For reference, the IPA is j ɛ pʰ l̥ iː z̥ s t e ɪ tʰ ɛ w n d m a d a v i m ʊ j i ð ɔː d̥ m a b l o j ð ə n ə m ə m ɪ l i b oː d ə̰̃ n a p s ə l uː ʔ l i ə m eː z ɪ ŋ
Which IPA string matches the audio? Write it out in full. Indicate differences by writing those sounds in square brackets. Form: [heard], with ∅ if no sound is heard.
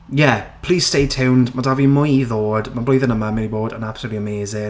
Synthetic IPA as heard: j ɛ pʰ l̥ iː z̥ s t e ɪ tʰ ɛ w n d m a d a v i m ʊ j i ð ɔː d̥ m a b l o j ð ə n ə m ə m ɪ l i b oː d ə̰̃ n a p s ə l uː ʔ l i ə m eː z ɪ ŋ